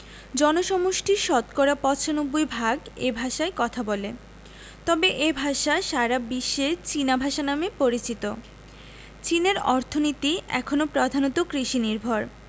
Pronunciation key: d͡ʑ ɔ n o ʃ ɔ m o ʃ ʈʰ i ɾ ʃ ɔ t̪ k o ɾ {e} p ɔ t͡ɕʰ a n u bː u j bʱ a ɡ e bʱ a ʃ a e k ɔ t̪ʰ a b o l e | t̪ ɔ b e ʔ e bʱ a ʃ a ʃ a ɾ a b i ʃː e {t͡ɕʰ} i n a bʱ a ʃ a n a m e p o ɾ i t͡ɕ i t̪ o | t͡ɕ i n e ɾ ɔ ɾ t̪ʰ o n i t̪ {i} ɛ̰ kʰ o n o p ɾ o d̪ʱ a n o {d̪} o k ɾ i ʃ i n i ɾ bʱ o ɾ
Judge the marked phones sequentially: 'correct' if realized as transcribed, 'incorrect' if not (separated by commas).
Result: incorrect, incorrect, correct, incorrect